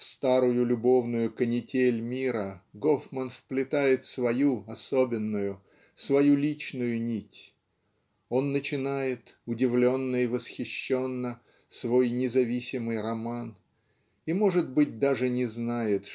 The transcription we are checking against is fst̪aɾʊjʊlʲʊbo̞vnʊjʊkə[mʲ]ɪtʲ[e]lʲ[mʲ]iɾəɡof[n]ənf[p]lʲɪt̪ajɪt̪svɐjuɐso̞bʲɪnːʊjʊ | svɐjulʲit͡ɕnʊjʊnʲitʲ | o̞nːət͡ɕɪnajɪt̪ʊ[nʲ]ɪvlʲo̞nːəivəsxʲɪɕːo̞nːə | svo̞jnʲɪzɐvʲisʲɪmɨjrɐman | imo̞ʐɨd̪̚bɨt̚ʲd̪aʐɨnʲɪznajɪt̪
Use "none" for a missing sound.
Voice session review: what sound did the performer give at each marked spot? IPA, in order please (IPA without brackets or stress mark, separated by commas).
nʲ, e, mʲ, m, p, dʲ